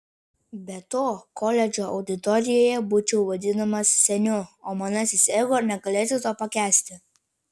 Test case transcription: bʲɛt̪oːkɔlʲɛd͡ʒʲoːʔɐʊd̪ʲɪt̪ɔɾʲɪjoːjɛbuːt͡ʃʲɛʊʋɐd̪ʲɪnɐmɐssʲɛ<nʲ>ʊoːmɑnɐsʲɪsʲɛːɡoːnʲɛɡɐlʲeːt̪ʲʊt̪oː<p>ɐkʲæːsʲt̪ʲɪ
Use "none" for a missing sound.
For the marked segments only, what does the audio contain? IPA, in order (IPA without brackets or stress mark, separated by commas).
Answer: nʲ, p